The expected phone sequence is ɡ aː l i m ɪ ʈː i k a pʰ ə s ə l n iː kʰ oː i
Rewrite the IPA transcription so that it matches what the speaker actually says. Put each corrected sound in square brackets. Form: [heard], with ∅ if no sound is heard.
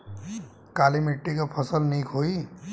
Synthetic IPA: [k] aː l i m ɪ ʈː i k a pʰ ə s ə l n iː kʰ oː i